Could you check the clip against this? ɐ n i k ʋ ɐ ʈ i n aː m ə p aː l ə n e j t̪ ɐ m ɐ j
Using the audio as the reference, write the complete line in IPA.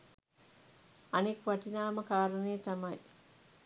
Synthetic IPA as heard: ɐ n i k ʋ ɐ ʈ i n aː m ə k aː ɾ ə n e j t̪ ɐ m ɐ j